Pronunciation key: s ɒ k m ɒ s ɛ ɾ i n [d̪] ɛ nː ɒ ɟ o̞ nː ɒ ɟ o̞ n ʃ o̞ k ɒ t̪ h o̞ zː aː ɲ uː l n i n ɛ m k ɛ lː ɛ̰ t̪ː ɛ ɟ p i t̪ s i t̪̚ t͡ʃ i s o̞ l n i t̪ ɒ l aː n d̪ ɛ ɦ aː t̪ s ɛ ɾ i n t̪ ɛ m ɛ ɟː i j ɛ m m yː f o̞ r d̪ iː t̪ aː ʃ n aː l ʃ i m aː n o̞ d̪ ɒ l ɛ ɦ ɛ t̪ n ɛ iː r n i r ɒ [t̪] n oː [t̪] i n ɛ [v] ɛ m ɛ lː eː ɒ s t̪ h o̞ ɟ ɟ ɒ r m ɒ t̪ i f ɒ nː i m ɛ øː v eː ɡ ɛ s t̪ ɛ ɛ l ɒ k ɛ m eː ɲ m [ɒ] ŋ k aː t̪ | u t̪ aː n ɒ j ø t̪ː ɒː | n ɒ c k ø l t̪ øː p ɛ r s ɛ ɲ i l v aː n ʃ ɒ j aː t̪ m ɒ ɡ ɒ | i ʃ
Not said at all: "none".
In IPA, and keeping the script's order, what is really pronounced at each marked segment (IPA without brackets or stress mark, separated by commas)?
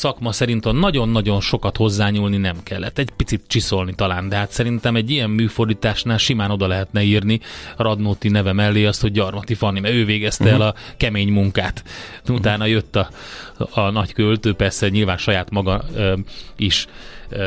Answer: t̪, d̪, t̪, v, u